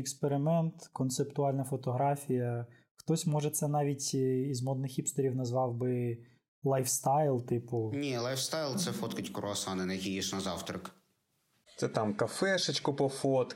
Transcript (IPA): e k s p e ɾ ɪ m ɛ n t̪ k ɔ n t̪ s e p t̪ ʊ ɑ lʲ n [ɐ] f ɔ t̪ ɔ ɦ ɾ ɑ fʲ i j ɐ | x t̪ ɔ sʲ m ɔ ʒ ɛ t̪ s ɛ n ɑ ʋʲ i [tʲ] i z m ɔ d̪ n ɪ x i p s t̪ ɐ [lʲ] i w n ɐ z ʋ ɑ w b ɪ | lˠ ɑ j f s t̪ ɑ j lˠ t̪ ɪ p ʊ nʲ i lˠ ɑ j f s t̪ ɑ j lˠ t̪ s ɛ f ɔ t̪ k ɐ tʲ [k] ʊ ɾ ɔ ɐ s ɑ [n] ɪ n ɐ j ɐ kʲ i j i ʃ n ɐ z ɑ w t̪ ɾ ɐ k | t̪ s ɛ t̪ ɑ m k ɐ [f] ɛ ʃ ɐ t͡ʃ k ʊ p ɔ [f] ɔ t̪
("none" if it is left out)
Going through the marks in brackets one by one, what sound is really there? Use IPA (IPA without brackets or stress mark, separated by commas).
ɐ, tʲ, ɾʲ, k, n, f, f